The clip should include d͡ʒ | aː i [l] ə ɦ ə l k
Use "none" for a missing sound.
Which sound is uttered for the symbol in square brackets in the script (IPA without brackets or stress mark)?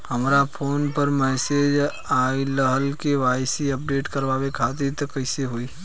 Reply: l